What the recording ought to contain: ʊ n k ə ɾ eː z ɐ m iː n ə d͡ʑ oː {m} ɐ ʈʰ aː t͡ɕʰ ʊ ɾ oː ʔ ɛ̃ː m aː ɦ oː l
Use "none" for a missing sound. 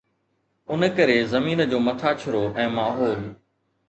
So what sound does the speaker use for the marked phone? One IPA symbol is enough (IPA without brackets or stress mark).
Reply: m